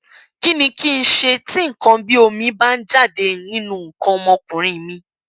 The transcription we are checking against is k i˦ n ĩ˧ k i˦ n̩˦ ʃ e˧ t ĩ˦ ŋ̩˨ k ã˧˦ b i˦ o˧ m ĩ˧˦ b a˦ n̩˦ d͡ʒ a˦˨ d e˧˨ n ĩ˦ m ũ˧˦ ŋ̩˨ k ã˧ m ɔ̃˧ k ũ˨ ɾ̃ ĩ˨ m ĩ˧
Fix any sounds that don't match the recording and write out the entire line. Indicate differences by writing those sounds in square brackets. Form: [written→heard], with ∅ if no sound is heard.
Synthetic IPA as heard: k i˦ n ĩ˧ k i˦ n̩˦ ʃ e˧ t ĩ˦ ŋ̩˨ k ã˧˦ b i˦ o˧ m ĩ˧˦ b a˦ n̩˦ d͡ʒ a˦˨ d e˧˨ n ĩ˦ [m→n] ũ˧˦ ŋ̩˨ k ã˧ m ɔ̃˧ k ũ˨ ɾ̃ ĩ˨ m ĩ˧